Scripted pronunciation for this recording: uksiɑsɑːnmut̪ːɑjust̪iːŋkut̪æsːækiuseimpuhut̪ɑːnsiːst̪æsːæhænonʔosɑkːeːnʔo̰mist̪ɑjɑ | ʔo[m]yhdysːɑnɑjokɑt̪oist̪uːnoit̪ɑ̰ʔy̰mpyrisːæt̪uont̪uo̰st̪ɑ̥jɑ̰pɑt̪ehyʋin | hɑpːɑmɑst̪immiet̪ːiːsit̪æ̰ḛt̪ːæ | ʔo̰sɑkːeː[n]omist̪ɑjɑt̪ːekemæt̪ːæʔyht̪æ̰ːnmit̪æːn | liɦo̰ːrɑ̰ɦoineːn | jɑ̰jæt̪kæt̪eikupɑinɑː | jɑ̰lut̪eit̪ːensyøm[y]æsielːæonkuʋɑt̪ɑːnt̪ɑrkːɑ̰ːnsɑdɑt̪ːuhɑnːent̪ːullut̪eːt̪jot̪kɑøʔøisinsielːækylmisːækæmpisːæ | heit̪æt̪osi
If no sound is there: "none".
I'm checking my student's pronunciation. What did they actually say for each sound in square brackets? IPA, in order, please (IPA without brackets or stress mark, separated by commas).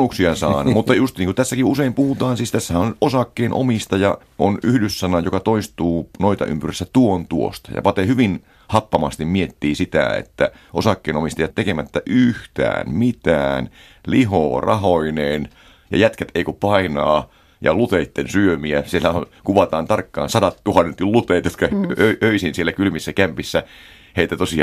n, n, i